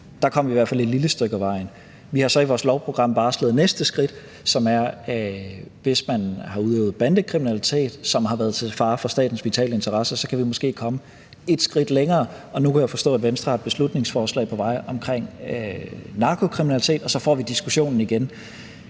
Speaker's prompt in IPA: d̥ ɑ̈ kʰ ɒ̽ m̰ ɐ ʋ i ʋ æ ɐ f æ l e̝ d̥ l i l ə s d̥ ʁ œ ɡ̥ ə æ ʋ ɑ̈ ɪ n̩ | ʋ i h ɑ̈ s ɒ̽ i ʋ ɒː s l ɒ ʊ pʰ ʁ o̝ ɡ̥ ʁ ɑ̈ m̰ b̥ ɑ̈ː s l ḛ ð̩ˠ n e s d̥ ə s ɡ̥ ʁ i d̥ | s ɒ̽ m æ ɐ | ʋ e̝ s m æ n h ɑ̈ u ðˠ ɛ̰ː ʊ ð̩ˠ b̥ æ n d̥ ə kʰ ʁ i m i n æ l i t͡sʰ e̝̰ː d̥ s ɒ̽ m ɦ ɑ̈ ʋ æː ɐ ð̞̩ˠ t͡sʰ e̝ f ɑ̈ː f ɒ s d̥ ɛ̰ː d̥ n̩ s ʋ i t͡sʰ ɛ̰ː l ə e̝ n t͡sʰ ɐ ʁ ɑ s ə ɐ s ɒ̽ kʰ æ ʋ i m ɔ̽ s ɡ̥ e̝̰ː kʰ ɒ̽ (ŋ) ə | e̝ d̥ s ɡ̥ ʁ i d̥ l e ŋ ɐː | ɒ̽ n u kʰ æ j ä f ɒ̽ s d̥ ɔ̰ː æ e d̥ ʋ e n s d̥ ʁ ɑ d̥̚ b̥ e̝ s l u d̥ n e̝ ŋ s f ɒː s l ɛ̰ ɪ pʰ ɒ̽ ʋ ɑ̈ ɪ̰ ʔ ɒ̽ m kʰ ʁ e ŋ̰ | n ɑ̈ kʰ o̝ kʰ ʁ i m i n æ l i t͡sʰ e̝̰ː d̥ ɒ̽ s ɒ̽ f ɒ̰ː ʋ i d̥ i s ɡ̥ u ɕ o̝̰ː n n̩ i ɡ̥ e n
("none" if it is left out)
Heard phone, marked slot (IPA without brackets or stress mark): m